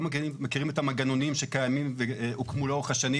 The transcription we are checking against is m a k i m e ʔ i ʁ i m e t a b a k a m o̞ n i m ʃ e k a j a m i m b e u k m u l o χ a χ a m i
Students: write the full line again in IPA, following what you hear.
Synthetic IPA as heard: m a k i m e k i ʁ i m e t a m a ɡ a n o̞ n i m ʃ e k a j a m i m v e u k m u l o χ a ʃ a n i